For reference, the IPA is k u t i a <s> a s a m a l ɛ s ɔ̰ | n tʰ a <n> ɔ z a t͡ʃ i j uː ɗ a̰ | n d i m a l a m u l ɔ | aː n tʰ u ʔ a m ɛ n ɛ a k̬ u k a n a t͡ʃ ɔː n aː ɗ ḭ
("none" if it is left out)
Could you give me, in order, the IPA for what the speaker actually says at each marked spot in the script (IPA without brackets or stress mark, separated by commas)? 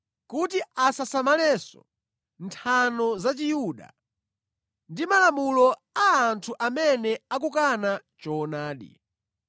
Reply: s, n